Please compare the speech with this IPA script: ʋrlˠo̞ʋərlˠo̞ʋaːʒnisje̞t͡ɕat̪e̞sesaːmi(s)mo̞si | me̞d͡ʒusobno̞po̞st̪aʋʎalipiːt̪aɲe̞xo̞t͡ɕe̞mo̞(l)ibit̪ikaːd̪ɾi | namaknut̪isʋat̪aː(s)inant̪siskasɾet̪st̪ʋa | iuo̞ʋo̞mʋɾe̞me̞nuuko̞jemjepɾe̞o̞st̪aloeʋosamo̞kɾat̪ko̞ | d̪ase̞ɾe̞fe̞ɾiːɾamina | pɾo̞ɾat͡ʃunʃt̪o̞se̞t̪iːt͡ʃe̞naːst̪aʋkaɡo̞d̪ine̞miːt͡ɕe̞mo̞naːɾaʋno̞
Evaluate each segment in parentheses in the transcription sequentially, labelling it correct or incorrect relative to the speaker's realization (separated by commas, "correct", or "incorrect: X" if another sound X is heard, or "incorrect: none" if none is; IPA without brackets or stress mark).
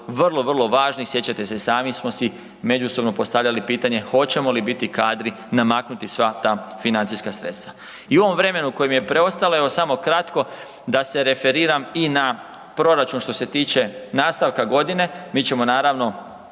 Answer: correct, correct, incorrect: f